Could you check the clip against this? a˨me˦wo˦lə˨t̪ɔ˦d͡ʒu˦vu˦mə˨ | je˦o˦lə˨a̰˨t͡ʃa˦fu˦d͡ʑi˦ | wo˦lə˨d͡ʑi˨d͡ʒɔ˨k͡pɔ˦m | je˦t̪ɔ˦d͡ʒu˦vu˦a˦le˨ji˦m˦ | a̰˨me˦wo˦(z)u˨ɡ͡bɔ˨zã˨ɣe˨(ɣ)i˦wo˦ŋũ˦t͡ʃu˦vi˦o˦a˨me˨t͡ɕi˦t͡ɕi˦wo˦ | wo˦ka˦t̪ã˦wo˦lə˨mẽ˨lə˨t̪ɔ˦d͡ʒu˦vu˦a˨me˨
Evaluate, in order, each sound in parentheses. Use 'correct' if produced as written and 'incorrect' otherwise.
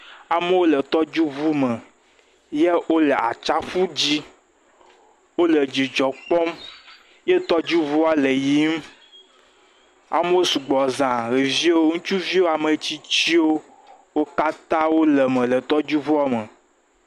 incorrect, incorrect

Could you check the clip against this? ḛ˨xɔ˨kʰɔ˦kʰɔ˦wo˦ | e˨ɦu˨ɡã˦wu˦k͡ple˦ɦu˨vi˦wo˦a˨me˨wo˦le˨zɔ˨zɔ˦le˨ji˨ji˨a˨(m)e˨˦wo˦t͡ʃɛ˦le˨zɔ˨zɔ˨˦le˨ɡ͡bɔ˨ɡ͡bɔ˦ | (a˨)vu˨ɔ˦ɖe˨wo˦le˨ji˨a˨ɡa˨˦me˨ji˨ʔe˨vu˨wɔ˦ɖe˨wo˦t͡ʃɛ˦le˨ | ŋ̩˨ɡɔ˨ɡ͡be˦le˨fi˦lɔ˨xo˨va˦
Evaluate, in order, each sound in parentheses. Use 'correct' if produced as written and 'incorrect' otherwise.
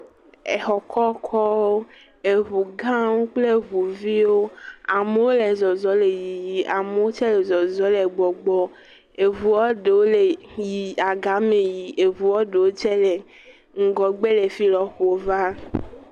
correct, incorrect

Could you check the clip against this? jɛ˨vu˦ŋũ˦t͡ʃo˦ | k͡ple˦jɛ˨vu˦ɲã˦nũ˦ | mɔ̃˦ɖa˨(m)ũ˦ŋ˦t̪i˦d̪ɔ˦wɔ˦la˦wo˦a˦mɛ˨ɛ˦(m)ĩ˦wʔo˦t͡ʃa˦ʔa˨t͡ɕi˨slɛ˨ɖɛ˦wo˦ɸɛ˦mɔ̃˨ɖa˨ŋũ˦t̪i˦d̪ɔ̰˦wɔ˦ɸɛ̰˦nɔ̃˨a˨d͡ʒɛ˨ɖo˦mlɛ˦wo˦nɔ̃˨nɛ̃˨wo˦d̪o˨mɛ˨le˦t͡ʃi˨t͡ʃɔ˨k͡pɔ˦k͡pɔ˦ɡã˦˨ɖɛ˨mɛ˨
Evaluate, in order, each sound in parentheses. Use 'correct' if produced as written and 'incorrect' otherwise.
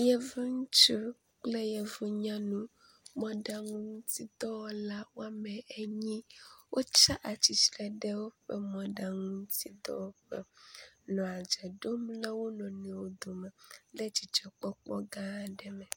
incorrect, incorrect

